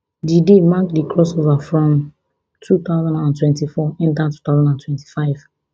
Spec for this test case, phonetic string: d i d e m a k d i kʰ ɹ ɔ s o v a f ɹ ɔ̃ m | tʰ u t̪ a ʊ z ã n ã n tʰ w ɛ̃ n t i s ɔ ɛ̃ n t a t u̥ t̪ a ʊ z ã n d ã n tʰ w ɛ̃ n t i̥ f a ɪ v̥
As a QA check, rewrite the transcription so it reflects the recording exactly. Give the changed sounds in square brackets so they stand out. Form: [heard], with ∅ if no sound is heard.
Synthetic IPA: d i d e m a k d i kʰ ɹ ɔ s o v a f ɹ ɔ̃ m | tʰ u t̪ a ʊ z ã n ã n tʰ w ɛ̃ n t i [f] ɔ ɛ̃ n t a t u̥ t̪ a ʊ z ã n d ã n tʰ w ɛ̃ n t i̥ f a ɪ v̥